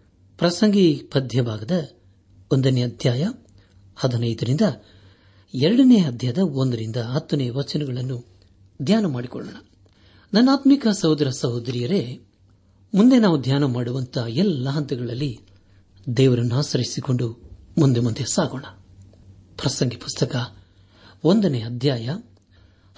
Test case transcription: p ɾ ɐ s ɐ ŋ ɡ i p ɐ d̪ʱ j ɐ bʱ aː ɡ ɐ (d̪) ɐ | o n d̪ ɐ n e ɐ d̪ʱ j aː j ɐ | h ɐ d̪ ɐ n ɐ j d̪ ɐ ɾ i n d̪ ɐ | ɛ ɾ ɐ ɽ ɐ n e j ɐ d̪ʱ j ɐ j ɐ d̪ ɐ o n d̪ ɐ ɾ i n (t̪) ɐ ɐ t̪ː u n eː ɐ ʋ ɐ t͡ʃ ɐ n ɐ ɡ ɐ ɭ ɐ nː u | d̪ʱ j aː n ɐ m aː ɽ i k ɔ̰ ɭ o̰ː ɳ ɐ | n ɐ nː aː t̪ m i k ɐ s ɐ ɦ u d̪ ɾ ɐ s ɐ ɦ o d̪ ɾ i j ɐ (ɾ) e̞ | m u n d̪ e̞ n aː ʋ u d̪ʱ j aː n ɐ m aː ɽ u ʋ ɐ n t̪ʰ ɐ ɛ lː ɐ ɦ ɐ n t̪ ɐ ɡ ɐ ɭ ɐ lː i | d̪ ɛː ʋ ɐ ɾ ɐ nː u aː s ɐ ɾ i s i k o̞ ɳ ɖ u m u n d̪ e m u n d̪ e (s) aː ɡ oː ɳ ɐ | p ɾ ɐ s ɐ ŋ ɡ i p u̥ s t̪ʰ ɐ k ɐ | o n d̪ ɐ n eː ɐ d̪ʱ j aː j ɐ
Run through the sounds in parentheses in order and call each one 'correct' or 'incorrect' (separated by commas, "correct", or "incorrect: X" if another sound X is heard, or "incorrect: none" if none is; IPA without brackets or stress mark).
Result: correct, incorrect: d̪, correct, correct